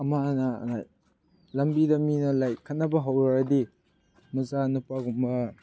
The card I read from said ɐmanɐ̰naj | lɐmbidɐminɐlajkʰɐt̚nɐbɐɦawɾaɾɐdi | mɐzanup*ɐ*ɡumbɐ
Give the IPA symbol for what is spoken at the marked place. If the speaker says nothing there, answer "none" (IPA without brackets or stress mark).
a